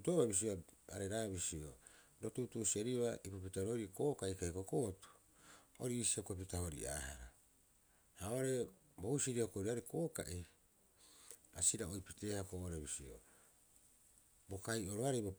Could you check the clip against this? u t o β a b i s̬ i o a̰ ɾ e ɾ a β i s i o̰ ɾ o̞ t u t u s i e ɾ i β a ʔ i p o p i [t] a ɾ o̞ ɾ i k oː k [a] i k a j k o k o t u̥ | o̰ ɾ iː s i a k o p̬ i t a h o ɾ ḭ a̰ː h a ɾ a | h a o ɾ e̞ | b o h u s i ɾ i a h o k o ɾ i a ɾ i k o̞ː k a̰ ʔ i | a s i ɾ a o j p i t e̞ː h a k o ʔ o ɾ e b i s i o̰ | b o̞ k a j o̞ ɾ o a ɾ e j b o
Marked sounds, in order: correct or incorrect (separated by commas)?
correct, correct